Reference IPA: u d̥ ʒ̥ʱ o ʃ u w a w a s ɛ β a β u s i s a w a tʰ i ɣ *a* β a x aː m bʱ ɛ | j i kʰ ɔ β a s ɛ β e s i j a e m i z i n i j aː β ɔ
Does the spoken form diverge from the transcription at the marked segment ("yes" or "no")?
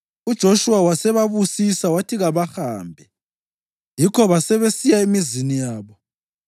no